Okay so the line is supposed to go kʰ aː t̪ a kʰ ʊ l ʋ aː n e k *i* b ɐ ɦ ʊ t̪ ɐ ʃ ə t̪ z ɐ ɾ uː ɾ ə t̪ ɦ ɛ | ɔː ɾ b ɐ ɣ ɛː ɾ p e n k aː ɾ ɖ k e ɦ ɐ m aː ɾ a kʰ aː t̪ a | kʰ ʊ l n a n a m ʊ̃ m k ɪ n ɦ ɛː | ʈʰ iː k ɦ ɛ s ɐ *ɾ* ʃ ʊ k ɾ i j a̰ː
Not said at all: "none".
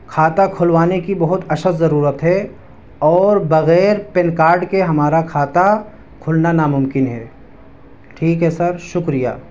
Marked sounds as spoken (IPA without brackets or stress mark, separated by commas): i, ɾ